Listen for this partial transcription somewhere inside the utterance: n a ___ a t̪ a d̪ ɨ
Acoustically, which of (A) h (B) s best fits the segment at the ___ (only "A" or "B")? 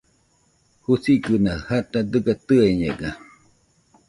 A